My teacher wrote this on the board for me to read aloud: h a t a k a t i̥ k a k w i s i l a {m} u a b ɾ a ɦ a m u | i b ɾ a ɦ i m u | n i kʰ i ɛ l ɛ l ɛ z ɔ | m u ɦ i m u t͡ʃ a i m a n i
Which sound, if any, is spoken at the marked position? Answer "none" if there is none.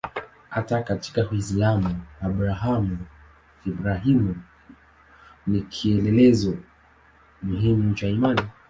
m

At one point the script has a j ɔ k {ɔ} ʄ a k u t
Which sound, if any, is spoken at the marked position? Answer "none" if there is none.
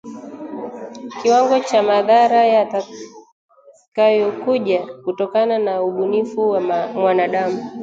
u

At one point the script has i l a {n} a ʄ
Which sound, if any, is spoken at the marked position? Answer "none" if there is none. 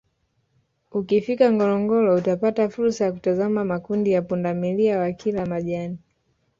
m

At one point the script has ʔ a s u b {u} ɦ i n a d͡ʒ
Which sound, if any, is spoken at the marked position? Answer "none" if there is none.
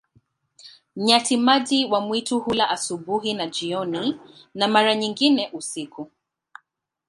u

